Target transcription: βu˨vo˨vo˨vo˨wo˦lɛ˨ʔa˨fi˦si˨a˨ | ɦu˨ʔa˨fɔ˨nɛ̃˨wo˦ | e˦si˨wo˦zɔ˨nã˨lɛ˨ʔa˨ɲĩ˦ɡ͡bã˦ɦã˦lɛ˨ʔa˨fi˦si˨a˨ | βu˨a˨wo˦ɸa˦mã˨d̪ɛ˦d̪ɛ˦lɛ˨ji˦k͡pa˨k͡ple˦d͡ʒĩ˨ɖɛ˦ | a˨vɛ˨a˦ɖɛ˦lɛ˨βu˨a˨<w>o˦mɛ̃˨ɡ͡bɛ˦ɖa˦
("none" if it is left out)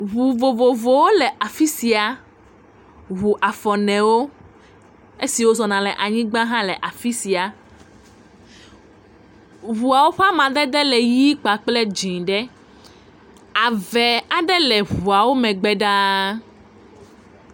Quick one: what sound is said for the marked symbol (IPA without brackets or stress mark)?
w